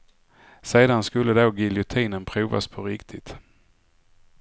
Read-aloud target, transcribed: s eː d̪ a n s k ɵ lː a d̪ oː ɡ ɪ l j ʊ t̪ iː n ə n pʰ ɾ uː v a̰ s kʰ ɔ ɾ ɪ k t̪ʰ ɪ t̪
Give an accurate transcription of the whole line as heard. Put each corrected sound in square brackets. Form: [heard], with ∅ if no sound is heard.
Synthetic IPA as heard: s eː d̪ a n s k ɵ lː [ə] d̪ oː ɡ ɪ l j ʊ [t̪ʰ] iː n ə n pʰ ɾ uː v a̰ s [pʰ] ɔ ɾ ɪ k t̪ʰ ɪ t̪